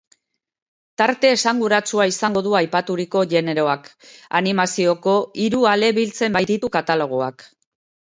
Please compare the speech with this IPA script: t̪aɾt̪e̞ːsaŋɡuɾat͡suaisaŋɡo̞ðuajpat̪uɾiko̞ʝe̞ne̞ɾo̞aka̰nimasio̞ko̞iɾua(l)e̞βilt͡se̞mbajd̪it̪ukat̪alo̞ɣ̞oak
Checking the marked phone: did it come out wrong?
no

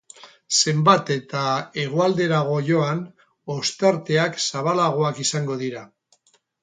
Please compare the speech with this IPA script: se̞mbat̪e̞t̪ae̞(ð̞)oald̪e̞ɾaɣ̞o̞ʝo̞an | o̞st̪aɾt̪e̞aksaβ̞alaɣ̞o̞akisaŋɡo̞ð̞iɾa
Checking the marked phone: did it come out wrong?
yes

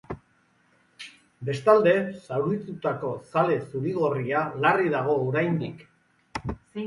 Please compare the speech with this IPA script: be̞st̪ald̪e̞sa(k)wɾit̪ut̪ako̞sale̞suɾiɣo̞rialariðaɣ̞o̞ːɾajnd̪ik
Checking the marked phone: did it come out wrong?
yes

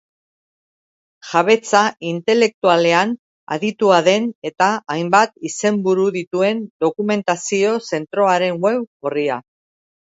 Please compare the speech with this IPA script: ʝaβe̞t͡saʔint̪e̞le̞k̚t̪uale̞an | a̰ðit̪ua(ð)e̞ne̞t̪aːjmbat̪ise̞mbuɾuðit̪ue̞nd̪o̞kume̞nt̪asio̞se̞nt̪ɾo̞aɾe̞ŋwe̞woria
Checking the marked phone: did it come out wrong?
no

